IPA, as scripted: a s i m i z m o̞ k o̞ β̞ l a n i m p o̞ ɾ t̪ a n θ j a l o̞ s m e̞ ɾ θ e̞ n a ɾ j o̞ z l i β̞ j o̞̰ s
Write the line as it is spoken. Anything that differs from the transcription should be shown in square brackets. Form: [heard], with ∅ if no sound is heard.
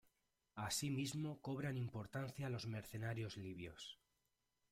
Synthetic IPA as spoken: a s i m i z m o̞ k o̞ β̞ [ɾ] a n i m p o̞ ɾ t̪ a n θ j a l o̞ [z] m e̞ ɾ θ e̞ n a ɾ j o̞ z l i β̞ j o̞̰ s

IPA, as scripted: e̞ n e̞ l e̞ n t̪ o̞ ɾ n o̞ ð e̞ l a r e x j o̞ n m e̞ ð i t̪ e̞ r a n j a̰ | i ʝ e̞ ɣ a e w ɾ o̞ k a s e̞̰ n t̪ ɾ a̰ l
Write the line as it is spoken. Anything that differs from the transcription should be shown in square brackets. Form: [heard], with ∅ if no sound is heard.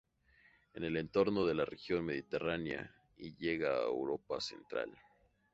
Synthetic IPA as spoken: e̞ n e̞ l e̞ n t̪ o̞ ɾ n o̞ ð e̞ l a r e x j o̞ n m e̞ ð i t̪ e̞ r a n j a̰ | i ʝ e̞ ɣ a e w ɾ o̞ [p] a s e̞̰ n t̪ ɾ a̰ l

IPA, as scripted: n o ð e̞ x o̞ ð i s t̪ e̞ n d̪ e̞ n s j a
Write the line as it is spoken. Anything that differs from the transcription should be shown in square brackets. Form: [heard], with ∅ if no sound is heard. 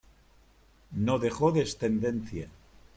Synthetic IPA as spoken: n o ð e̞ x o̞ ð [e] s t̪ e̞ n d̪ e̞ n [θ] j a

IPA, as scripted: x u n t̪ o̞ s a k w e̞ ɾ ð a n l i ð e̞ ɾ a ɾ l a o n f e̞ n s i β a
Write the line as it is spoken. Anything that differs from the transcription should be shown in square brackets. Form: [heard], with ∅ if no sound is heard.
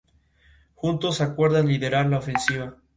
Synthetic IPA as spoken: x u n t̪ o̞ s a k w e̞ ɾ ð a n l i ð e̞ ɾ a ɾ l a o [∅] f e̞ n s i β a

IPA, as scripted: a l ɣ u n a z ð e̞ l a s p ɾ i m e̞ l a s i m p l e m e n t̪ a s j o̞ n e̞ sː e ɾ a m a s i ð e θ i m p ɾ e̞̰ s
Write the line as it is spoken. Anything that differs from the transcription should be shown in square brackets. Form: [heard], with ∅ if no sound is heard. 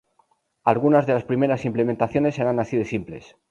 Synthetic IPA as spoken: a l ɣ u n a z ð e̞ l a s p ɾ i m e̞ [ɾ] a s i m p l e m e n t̪ a [θ] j o̞ n e̞ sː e ɾ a [n] a s i ð e [s] i m p [l] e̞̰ s

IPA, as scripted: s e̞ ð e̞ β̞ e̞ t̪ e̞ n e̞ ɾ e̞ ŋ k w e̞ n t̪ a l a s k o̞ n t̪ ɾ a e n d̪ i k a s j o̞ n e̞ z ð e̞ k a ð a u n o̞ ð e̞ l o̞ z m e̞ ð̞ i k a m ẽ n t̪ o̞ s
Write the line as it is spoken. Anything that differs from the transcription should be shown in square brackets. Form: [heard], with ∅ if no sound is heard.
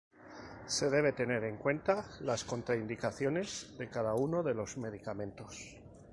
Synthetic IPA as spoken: s e̞ ð e̞ β̞ e̞ t̪ e̞ n e̞ ɾ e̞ ŋ k w e̞ n t̪ a l a s k o̞ n t̪ ɾ a [i] n d̪ i k a [θ] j o̞ n e̞ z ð e̞ k a ð a u n o̞ ð e̞ l o̞ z m e̞ ð̞ i k a m ẽ n t̪ o̞ s

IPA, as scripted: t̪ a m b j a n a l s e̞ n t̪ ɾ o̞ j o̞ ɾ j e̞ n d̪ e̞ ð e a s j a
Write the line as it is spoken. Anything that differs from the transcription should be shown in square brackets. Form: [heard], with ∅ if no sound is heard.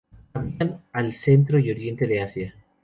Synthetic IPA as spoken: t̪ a m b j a n a l s e̞ n t̪ ɾ o̞ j o̞ ɾ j e̞ n [t̪] e̞ ð e a s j a

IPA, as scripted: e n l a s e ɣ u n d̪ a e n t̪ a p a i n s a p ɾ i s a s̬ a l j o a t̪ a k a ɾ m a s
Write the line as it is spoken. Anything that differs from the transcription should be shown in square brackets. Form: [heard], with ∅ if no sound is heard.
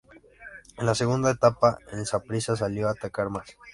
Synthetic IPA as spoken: e n l a s e ɣ u n d̪ a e [∅] t̪ a p a [e] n s a p ɾ i s a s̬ a l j o a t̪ a k a ɾ m a s

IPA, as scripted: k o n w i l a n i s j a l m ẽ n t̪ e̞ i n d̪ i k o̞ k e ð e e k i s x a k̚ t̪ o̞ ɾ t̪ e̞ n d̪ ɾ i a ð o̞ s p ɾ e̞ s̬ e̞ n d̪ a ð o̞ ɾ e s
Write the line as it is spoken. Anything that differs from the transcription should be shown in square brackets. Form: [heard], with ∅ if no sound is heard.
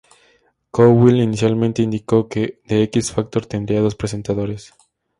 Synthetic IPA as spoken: k o [∅] w i l [i] n i s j a l m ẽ n t̪ e̞ i n d̪ i k o̞ k e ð e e k i s [f] a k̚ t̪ o̞ ɾ t̪ e̞ n d̪ ɾ i a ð o̞ s p ɾ e̞ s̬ e̞ n [t̪] a ð o̞ ɾ e s

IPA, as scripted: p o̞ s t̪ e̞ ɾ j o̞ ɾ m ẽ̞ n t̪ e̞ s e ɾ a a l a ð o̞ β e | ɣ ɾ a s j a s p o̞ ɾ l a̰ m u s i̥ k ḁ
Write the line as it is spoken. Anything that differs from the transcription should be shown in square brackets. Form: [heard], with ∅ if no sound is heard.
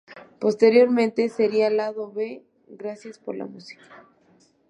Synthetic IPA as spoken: p o̞ s t̪ e̞ ɾ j o̞ ɾ m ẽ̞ n t̪ e̞ s e ɾ [i] a l a ð o̞ β e | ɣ ɾ a s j a s p o̞ ɾ l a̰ m u s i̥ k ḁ

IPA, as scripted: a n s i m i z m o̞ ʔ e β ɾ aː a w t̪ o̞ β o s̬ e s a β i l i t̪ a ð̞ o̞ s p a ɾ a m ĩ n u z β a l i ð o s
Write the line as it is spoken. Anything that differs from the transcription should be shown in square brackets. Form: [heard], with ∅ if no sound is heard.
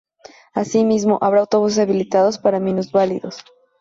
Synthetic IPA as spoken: a [∅] s i m i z m o̞ ʔ [a] β ɾ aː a w t̪ o̞ β [u] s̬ e s a β i l i t̪ a ð̞ o̞ s p a ɾ a m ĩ n u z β a l i ð o s

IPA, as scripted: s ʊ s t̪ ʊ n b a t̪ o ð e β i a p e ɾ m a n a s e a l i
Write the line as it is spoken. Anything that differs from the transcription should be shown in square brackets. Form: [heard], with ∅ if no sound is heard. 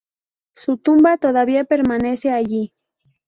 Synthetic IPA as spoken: s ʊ [∅] t̪ ʊ [m] b a t̪ o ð [a] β i a p e ɾ m a n [e] s e a [ʎ] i

